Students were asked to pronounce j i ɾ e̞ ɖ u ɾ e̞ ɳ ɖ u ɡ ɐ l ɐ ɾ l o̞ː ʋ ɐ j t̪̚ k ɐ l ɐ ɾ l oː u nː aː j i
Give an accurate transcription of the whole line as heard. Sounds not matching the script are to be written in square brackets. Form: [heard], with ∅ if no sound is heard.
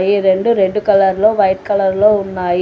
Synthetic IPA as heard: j i ɾ e̞ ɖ u ɾ e̞ ɳ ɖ u [k] ɐ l ɐ ɾ l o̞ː ʋ ɐ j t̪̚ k ɐ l ɐ ɾ l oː u nː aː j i